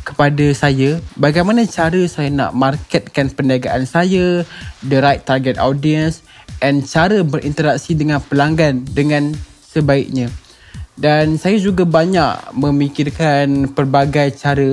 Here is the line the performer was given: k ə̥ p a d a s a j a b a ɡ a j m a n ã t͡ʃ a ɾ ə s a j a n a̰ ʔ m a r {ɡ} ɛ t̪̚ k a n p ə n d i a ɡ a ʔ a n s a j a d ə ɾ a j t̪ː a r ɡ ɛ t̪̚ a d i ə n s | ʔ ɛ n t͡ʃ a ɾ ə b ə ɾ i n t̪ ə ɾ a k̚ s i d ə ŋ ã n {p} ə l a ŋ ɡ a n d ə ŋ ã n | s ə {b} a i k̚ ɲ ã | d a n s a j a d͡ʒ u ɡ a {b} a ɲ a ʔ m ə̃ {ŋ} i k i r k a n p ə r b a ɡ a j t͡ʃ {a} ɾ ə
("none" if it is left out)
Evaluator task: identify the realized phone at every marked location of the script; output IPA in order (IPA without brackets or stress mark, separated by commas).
k, p, b, b, m, a